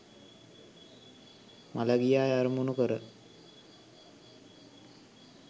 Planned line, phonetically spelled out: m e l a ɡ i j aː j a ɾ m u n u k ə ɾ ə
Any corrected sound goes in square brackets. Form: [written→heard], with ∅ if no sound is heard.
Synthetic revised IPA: m [e→a] l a ɡ i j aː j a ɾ m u n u k ə ɾ ə